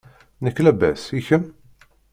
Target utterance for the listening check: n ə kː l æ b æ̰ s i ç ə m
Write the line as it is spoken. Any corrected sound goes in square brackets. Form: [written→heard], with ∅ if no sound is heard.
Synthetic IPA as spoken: n ə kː l æ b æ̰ s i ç ə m